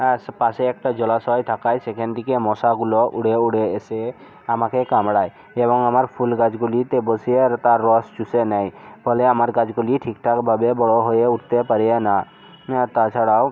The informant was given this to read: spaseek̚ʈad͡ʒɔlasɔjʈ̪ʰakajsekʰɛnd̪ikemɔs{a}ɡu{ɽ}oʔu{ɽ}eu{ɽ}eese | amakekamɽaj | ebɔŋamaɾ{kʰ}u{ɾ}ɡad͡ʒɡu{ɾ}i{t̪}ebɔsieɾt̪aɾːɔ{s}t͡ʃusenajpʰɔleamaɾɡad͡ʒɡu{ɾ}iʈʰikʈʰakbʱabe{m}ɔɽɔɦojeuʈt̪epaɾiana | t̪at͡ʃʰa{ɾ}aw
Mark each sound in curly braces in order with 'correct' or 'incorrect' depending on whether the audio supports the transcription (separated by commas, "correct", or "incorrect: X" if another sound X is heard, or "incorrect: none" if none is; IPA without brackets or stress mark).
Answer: correct, incorrect: l, correct, correct, incorrect: pʰ, incorrect: l, incorrect: l, correct, correct, incorrect: l, incorrect: b, incorrect: ɽ